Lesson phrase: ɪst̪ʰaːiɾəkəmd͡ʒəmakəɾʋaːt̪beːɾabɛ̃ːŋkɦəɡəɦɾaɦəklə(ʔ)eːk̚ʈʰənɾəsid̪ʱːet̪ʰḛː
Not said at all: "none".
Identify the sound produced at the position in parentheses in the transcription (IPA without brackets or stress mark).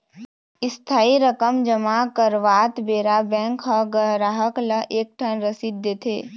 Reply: ʔ